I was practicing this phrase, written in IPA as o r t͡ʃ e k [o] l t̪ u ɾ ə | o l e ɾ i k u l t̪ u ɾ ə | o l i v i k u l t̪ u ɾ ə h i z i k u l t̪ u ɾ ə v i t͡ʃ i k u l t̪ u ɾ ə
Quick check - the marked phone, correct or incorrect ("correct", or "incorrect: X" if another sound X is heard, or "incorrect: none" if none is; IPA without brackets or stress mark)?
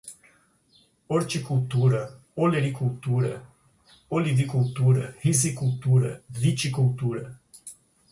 incorrect: u